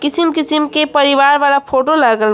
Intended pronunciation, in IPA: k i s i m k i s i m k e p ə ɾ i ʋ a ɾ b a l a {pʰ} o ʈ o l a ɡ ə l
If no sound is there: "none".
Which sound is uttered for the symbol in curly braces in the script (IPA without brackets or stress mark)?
pʰ